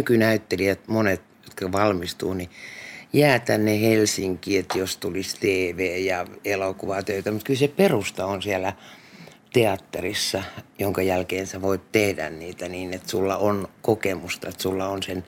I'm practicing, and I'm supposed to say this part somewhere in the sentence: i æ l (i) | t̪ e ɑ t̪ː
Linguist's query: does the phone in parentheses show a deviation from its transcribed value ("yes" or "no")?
yes